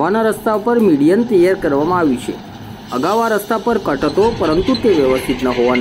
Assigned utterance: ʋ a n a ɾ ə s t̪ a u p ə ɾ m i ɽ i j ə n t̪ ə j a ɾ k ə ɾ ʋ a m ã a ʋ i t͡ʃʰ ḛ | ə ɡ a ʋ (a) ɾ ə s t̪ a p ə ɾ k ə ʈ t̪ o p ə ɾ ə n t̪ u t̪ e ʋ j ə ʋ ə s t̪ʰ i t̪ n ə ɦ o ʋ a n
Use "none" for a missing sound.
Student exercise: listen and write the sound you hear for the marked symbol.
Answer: a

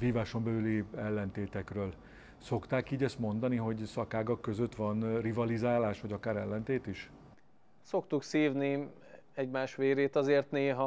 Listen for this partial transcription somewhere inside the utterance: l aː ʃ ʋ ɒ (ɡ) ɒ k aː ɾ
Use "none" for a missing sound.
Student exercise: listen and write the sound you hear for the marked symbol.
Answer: ɟ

